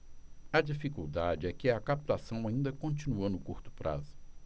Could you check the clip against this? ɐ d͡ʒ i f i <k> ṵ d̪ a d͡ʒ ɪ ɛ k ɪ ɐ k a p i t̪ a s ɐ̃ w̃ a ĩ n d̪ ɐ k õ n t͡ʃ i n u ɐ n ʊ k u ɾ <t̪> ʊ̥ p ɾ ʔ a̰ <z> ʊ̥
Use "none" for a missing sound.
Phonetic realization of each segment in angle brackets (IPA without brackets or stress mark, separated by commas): k, t̪, z